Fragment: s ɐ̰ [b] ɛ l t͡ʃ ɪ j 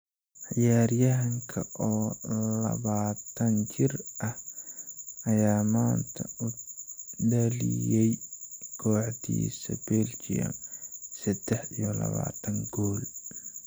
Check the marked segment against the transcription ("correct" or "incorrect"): correct